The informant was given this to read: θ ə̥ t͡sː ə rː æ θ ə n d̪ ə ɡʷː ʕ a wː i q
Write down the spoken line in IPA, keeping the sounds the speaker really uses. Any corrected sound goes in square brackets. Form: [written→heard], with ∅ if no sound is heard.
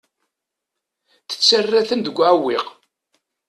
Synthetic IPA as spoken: θ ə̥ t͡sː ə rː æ θ ə n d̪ ə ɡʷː ʕ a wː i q

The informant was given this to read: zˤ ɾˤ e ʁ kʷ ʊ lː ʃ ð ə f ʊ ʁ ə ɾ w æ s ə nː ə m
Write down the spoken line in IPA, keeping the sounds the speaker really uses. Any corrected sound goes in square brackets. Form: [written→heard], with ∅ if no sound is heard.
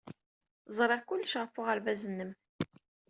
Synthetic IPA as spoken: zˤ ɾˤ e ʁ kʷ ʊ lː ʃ [ð→ʁ] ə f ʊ ʁ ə ɾ [w→v] æ [s→z] ə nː ə m

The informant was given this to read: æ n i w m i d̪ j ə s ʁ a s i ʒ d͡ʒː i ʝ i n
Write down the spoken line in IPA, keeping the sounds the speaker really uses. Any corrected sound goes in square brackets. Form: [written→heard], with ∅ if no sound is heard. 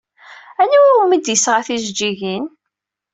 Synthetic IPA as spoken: æ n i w m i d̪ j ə s ʁ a [s→θ] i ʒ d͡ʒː i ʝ i n

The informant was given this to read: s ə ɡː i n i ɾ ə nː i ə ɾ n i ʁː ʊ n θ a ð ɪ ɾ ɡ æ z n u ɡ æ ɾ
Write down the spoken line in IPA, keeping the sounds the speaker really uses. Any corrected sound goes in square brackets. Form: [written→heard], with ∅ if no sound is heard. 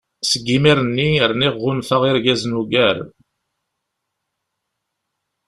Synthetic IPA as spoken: s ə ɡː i [n→m] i ɾ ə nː i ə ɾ n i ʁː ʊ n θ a [ð→ʁ] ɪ ɾ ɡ æ z n u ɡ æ ɾ

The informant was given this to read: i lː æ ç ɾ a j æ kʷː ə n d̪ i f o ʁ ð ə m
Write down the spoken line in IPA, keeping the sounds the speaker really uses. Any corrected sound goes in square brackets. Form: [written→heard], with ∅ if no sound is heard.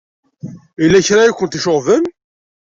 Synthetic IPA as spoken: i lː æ ç ɾ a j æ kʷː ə n [d̪→t̪] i [f→ʃ] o ʁ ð ə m

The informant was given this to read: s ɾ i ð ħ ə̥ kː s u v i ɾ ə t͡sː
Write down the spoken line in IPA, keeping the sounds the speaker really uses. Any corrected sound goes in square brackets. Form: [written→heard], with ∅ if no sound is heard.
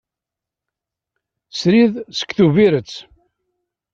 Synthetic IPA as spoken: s ɾ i ð [ħ→s] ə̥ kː [s→θ] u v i ɾ ə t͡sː

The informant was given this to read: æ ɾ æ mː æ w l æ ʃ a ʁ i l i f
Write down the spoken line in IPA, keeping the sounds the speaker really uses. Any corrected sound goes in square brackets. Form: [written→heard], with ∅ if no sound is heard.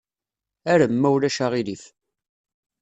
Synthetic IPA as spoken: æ ɾ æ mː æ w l æ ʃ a ʁ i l i f

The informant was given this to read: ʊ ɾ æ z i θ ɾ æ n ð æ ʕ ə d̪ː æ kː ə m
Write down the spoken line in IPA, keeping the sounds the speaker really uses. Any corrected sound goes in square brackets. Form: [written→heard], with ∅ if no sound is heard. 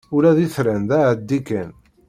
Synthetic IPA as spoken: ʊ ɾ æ [z→ð] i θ ɾ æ n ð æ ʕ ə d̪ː [æ→i] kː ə [m→n]

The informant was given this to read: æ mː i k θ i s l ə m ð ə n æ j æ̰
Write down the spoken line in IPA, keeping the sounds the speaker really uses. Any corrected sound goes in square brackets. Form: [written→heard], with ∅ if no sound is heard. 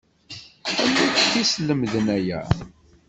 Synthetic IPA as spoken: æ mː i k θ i s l ə m ð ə n æ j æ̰

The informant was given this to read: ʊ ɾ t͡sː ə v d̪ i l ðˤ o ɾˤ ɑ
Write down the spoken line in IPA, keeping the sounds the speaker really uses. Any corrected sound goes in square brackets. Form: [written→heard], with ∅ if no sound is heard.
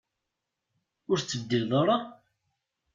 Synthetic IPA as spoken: ʊ ɾ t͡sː ə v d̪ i l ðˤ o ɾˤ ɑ

